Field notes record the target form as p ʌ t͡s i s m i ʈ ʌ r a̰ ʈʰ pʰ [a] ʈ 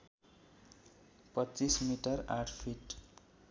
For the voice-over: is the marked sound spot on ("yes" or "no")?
no